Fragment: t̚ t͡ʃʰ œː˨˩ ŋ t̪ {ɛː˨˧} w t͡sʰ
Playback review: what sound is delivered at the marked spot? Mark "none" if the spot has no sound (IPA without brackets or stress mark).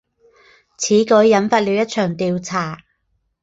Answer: iː˨˧